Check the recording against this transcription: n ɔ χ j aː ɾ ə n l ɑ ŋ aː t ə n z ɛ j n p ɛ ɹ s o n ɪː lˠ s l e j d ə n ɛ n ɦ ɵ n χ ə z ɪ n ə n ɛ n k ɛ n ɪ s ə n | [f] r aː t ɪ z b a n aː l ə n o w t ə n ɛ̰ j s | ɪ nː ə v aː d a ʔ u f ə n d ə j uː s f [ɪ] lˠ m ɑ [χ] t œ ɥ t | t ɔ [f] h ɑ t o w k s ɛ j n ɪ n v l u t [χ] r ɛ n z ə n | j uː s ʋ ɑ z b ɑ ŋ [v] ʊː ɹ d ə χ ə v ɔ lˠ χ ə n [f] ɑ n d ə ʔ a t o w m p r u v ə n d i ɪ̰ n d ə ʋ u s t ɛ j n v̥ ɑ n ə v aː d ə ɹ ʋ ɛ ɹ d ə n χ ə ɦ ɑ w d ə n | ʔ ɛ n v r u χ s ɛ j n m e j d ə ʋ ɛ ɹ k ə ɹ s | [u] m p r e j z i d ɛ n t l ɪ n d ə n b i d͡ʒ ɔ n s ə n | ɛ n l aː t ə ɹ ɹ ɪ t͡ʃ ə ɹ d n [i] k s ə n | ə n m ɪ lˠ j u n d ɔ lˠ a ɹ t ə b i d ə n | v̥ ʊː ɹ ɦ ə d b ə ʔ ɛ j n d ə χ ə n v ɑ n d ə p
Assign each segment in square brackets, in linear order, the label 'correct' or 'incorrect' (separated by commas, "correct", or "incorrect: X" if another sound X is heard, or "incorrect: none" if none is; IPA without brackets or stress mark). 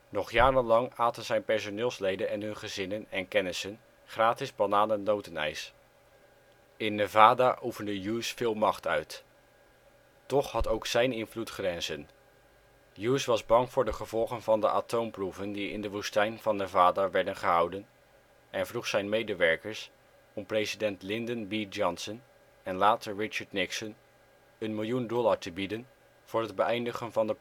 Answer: incorrect: χ, incorrect: ɪː, correct, incorrect: χ, correct, correct, incorrect: v, incorrect: ɔ, incorrect: ɪ